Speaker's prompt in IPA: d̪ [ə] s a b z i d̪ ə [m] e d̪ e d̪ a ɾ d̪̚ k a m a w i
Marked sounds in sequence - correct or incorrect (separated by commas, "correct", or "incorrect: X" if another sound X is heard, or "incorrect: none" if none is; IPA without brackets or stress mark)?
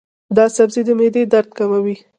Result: incorrect: ɑ, correct